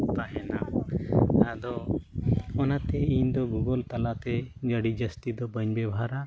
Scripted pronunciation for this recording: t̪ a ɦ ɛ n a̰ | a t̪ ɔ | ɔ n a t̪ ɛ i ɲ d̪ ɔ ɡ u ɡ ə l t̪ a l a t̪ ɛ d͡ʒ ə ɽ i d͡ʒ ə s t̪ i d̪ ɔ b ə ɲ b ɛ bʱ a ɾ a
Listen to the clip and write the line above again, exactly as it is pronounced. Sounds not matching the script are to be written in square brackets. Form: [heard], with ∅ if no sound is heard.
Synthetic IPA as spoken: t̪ a ɦ ɛ n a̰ | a [d̪] ɔ | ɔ n a t̪ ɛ i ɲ d̪ ɔ ɡ u ɡ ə l t̪ a l a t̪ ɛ d͡ʒ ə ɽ i d͡ʒ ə s t̪ i d̪ ɔ b ə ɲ b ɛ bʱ a ɾ a